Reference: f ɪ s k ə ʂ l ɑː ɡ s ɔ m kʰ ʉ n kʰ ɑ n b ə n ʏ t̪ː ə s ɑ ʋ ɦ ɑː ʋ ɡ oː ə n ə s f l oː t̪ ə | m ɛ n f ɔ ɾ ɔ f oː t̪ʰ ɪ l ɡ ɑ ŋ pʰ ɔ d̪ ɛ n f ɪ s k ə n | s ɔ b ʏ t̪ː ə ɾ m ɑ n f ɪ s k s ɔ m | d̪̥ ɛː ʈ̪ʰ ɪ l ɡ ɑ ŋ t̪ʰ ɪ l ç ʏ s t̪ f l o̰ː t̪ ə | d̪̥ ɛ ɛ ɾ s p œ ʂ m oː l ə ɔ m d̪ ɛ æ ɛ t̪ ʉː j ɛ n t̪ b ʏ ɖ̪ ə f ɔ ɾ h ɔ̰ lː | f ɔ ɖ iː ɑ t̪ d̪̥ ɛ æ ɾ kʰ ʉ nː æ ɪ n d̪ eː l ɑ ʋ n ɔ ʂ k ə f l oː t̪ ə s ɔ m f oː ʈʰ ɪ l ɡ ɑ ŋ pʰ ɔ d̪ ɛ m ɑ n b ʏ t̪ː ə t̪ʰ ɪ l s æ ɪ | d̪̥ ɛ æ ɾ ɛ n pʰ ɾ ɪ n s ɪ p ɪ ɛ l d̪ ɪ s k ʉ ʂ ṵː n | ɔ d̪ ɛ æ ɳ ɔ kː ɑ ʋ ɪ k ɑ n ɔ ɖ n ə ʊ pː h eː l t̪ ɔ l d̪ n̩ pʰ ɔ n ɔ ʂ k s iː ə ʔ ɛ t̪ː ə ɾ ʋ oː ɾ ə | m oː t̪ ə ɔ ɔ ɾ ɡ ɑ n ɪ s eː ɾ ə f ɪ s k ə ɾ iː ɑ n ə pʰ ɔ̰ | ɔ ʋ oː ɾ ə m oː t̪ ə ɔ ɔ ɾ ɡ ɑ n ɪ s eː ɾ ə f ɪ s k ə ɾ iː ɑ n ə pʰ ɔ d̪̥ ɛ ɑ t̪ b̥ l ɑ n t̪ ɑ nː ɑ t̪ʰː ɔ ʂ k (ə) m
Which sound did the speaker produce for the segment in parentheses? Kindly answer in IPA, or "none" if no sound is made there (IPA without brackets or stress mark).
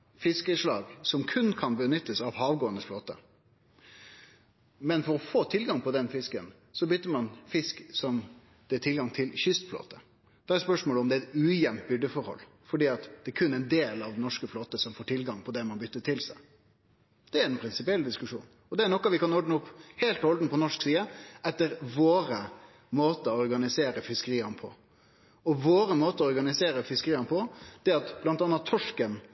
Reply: ə